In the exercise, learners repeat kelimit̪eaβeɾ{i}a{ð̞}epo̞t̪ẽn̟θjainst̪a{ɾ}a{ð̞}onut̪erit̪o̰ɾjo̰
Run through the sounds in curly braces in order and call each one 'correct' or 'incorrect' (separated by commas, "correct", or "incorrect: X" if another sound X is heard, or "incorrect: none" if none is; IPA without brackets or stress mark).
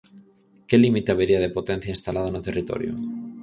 correct, correct, incorrect: l, correct